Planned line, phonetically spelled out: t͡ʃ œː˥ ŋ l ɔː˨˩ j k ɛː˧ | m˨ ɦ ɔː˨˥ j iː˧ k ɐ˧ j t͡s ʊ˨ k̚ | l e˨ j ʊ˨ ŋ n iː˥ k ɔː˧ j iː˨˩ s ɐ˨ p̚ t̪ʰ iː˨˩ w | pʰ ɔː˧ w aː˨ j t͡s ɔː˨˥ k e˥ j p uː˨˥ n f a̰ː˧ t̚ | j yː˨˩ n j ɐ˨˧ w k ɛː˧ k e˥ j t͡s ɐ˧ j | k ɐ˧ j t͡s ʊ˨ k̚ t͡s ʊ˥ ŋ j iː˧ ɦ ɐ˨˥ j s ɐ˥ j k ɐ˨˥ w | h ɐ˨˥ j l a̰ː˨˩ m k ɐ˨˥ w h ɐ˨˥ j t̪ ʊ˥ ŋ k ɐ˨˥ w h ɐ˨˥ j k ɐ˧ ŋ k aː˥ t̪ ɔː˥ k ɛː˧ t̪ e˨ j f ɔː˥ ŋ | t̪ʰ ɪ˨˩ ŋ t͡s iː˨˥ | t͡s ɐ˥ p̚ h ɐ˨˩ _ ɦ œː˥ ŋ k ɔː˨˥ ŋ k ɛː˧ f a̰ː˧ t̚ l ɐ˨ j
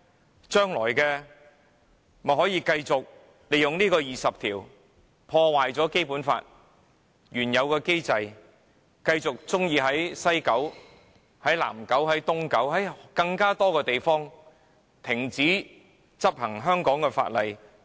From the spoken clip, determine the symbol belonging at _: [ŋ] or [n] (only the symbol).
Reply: ŋ